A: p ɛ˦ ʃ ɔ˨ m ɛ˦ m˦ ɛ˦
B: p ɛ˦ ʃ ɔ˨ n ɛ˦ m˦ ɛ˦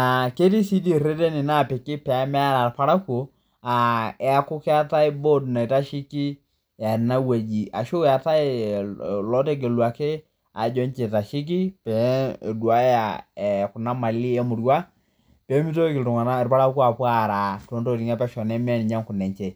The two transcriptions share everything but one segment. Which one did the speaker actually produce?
B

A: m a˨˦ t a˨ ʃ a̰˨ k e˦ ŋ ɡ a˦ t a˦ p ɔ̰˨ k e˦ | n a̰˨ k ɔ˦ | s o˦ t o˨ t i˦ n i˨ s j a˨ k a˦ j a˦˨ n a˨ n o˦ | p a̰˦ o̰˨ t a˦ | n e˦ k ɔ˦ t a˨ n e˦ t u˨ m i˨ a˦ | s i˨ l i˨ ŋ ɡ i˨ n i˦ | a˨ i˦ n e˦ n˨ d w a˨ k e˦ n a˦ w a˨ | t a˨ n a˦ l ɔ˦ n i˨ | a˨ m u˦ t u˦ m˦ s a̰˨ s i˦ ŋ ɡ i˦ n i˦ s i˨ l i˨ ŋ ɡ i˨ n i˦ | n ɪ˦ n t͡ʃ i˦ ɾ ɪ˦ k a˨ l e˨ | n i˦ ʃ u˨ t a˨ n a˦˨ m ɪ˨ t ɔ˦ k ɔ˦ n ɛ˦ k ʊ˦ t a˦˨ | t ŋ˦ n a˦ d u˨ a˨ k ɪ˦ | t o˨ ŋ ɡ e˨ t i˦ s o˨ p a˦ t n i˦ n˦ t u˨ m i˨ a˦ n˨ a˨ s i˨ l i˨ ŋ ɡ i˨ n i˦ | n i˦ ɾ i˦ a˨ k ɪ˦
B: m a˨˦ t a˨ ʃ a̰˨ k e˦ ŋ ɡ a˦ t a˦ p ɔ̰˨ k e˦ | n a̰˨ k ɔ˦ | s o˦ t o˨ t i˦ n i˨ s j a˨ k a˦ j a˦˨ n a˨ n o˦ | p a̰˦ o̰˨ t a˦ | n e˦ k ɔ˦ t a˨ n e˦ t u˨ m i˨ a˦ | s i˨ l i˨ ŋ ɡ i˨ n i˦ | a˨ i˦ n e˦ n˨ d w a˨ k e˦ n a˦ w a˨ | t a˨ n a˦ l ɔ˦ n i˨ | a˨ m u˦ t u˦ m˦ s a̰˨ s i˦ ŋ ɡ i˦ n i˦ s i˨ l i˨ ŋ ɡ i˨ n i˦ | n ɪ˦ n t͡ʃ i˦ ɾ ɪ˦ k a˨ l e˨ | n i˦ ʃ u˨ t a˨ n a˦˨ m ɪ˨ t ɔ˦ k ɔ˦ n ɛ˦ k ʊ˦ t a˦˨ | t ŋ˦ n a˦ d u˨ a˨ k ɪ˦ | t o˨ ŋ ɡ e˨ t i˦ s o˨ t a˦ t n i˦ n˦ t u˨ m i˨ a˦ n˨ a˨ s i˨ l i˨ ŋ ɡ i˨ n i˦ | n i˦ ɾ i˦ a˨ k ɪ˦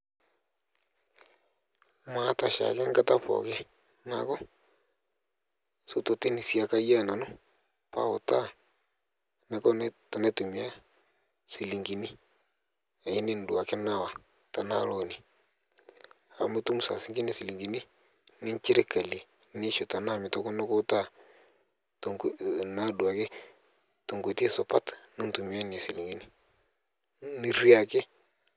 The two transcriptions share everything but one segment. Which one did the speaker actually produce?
A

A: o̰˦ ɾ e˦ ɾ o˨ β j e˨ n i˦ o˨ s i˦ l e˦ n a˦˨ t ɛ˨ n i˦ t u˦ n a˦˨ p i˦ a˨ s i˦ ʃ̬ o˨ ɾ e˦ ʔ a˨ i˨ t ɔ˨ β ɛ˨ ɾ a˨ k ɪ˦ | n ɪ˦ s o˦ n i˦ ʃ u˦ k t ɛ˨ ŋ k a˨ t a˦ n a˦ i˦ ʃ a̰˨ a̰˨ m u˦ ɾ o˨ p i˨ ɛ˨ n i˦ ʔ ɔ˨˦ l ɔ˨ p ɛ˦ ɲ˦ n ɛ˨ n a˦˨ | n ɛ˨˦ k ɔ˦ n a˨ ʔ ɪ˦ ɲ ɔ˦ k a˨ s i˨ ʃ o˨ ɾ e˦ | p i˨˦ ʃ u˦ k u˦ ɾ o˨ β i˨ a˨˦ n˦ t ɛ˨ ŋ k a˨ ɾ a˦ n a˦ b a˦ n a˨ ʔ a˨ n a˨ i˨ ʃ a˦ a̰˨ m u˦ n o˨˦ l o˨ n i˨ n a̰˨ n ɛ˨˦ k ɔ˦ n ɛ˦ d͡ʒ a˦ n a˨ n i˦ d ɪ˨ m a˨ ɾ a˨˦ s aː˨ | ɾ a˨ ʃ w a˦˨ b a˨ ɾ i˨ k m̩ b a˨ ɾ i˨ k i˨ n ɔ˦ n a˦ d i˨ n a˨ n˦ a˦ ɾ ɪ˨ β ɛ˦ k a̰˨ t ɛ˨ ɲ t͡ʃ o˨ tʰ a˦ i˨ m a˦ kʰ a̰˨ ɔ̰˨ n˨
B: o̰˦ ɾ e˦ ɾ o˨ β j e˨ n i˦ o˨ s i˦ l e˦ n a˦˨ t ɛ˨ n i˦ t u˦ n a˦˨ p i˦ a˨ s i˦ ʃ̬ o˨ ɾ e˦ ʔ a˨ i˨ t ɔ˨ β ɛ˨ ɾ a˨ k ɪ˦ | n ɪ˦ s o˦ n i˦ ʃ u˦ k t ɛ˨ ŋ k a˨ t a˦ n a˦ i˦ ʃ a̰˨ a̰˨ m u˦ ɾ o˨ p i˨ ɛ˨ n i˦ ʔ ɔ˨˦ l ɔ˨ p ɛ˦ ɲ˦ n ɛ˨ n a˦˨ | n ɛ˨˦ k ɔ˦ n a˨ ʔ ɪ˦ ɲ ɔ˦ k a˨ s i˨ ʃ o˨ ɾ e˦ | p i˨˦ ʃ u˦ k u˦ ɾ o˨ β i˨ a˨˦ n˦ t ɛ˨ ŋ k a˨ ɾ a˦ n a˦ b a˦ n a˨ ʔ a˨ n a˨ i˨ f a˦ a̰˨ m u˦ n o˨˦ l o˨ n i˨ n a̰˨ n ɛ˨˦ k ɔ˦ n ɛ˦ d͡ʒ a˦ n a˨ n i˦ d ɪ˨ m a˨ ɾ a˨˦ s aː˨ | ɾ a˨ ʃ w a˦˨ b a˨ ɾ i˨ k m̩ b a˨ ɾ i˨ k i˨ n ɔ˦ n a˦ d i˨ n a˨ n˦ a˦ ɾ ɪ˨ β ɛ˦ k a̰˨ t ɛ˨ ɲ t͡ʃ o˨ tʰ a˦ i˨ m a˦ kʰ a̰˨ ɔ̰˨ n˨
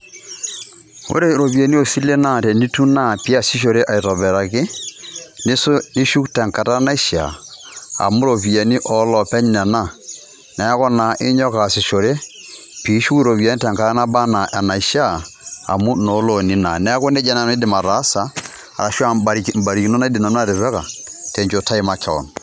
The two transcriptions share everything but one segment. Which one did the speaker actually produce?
A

